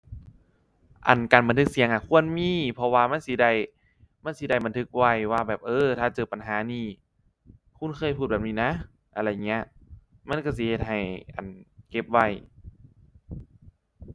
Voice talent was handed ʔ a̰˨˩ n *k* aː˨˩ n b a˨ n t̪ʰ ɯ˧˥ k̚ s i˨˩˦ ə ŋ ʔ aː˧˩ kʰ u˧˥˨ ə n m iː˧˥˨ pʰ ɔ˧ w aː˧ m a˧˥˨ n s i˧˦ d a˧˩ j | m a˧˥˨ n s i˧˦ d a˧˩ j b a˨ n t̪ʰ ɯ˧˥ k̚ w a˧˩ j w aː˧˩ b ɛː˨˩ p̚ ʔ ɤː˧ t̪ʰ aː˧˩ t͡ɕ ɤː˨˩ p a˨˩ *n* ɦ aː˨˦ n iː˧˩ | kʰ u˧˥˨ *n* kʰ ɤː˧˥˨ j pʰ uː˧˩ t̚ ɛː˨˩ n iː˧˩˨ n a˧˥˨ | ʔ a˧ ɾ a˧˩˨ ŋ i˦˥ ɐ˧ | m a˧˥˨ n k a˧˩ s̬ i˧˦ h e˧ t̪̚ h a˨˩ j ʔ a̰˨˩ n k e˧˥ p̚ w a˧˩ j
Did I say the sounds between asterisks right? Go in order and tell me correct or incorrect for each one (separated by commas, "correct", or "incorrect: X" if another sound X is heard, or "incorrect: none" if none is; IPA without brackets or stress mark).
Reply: correct, correct, correct